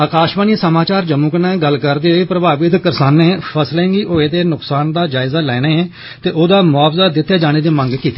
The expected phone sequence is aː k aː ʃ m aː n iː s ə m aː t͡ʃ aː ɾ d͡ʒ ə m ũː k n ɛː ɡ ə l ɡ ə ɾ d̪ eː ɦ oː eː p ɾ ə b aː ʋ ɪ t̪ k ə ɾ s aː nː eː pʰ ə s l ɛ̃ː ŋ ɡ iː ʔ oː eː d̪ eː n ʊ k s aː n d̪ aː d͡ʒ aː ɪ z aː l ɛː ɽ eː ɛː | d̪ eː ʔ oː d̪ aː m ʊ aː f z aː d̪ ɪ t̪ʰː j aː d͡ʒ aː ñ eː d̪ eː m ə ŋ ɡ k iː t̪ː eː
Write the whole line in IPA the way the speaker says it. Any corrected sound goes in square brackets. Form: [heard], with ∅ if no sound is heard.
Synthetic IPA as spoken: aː k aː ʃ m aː n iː s ə m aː t͡ʃ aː ɾ d͡ʒ ə m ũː k n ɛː ɡ ə l [k] ə ɾ d̪ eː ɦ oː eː p ɾ ə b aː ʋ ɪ t̪ k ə ɾ s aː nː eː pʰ ə s l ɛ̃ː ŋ ɡ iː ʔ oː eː d̪ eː n ʊ k s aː n d̪ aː d͡ʒ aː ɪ z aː l ɛː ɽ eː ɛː | [t̪] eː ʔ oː d̪ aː m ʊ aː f z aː d̪ ɪ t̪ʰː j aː d͡ʒ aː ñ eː d̪ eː m ə ŋ ɡ k iː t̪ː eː